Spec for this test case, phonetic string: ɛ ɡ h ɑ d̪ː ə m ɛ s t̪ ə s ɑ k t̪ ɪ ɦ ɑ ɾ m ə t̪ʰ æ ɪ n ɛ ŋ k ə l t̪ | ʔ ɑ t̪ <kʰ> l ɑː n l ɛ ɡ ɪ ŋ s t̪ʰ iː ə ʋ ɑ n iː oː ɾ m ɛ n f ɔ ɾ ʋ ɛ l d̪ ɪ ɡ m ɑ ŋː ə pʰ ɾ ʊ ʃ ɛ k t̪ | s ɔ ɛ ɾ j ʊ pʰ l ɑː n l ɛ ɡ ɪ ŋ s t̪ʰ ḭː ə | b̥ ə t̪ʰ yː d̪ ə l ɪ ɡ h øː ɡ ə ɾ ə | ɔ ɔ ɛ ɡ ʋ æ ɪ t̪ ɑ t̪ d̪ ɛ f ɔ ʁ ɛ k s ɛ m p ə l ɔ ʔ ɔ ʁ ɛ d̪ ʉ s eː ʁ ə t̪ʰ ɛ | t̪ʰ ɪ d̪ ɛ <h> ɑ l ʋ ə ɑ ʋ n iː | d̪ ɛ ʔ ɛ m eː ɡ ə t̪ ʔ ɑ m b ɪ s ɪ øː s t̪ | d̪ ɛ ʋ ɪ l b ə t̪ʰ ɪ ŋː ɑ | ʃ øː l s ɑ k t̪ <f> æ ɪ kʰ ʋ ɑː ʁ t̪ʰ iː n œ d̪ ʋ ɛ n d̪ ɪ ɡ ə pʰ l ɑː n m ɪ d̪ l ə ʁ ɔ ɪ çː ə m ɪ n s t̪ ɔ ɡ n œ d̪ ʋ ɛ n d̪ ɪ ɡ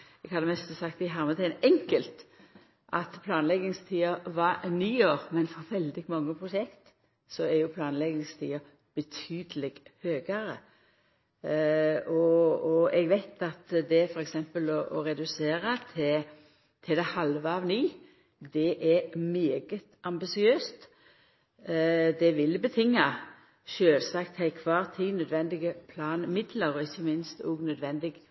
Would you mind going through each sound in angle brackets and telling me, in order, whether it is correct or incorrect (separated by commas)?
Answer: incorrect, correct, incorrect